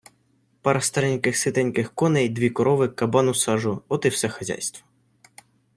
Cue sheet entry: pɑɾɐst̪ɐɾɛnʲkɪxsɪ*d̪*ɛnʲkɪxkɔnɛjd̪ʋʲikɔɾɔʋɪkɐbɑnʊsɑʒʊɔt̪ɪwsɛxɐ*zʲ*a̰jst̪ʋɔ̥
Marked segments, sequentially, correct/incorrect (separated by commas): incorrect, correct